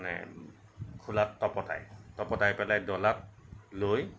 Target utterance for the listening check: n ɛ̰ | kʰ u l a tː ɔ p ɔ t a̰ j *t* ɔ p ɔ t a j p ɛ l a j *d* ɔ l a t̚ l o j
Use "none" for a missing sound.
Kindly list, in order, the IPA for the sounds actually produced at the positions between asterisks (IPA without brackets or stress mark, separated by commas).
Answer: t, d